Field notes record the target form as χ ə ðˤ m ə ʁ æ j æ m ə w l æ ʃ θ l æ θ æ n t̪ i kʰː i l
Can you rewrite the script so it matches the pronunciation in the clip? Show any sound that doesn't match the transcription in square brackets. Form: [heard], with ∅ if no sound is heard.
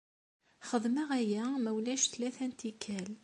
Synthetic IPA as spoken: χ ə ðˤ m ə ʁ æ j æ m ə w l æ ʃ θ l æ θ æ n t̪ i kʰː [æ] l